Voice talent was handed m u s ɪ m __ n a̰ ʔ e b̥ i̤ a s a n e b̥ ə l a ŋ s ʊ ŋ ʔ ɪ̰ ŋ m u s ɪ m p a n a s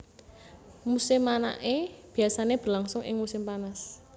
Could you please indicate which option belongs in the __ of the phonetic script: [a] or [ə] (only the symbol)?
a